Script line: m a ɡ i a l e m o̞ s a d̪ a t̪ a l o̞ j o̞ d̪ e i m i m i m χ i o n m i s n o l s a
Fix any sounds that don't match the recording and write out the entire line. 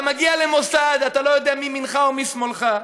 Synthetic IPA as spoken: m a ɡ i a l e m o̞ s a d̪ a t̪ a l o̞ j o̞ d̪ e a m i m i n χ a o m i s m o l χ a